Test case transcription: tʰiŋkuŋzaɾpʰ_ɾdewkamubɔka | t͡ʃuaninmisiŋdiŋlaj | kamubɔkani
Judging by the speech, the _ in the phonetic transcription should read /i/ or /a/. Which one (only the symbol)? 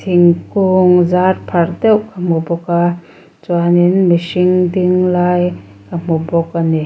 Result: a